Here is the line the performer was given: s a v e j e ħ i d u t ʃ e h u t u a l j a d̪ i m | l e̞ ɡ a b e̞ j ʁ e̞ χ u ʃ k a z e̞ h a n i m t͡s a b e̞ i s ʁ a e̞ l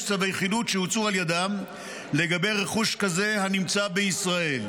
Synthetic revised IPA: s a v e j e χ i d u t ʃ e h u t͡s u a l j a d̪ a m | l e̞ ɡ a b e̞ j ʁ e̞ χ u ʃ k a z e̞ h a n i m t͡s a b e̞ i s ʁ a e̞ l

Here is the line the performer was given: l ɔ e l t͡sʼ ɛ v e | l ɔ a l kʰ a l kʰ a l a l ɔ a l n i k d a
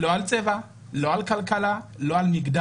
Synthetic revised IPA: l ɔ a l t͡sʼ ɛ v a | l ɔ a l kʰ a l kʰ a l a l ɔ a l m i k d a

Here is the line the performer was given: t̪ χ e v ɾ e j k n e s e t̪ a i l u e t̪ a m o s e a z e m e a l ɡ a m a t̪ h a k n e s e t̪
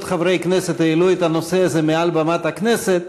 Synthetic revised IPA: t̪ χ a v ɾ e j k n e s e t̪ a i l u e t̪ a n o s e a z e m e a l b a m a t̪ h a k n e s e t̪

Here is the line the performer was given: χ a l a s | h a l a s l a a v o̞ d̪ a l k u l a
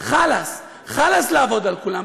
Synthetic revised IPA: χ a l a s | χ a l a s l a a v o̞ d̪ a l k u l a

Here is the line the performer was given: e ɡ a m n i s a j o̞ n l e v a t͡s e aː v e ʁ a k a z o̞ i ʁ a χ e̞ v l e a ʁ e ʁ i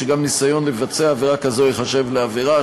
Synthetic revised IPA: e ɡ a m n i s a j o̞ n l e v a t͡s e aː v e ʁ a k a z o̞ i χ a ʃ e̞ v l e a v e ʁ a

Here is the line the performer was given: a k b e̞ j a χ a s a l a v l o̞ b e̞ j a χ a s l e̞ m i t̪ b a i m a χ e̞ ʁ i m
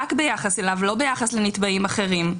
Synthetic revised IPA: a k b e̞ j a χ a s e l a v l o̞ b e̞ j a χ a s l e̞ n i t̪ b a i m a χ e̞ ʁ i m

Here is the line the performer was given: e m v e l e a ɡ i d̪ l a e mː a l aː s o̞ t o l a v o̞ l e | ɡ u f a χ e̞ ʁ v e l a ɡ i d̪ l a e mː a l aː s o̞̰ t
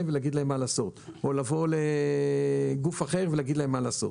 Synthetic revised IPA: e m v e l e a ɡ i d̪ l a e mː a l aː s o̞ t o l a v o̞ l e | ɡ u f a χ e̞ ʁ v e l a ɡ i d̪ l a e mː a l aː s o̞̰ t

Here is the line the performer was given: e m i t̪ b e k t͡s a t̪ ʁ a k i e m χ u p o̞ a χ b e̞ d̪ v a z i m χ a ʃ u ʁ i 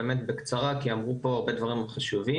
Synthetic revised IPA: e m e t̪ b e k t͡s a ʁ a k i a m ʁ u p o̞ a ʁ b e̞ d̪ v a ʁ i m χ a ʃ u v i

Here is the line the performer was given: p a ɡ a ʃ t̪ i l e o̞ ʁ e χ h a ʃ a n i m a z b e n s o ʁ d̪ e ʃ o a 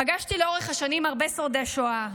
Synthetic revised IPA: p a ɡ a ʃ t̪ i l e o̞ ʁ e χ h a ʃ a n i m a ʁ b e s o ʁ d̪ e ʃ o a

